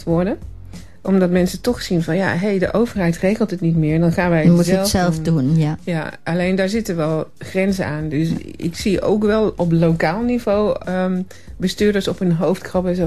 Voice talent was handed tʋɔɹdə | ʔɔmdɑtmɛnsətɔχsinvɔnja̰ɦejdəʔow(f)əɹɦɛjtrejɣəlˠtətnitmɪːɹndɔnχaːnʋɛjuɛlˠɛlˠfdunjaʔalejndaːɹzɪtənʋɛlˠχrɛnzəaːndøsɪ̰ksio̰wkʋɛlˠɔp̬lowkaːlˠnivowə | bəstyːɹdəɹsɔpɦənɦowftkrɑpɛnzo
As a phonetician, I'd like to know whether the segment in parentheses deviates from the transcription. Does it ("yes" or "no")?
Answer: yes